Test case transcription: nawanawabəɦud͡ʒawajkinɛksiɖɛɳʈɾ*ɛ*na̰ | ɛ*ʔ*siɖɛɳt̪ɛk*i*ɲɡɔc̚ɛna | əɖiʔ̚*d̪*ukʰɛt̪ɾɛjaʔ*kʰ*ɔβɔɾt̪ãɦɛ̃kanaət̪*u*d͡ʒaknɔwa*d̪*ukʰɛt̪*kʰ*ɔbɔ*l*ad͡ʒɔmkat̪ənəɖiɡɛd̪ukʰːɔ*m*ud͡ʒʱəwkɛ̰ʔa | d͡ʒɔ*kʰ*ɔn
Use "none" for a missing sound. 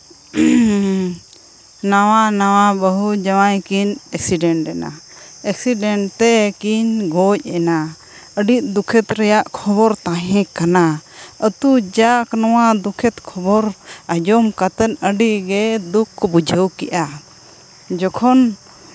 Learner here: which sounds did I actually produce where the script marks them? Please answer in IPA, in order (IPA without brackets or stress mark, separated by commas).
ɛ, k, i, d̪, kʰ, u, d̪, kʰ, ɾ, b, kʰ